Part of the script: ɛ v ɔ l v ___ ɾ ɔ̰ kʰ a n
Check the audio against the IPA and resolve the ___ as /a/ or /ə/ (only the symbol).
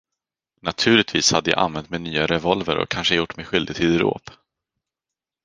ə